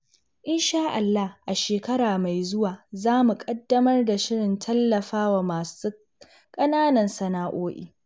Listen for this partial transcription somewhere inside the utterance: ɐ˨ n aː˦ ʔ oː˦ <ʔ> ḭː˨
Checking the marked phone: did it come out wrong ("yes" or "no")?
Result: no